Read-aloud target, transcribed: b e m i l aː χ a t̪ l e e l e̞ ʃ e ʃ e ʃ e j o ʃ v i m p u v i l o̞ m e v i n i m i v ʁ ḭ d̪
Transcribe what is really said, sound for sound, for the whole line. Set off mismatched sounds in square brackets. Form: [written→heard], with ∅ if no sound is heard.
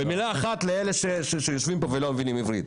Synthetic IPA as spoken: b e m i l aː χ a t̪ l e e l e̞ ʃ e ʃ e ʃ e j o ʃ v i m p [u→o] v [i→e] l o̞ m e v i n i m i v ʁ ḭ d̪